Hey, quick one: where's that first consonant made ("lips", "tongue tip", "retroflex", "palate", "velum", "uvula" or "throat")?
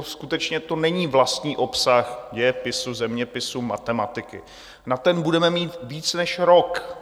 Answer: tongue tip